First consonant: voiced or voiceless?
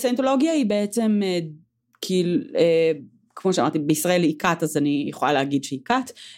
voiceless